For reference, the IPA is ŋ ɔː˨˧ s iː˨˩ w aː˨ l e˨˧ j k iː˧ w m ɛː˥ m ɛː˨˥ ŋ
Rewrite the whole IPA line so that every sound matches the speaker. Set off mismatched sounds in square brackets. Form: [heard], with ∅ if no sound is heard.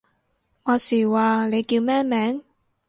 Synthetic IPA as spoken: ŋ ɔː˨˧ s iː˨˩ w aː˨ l e˨˧ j k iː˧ w m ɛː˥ m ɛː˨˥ ŋ